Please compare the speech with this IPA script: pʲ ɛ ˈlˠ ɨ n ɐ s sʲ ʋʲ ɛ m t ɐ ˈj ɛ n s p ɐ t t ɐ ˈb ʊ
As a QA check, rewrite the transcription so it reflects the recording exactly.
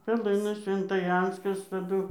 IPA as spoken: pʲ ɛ ˈlˠ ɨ n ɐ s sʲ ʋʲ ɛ n t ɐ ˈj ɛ n s k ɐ s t ɐ ˈd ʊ